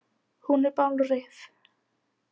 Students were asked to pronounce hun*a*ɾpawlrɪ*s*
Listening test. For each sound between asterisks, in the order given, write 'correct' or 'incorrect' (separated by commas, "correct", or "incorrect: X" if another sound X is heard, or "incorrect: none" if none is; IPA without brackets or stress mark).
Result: incorrect: ɛ, incorrect: θ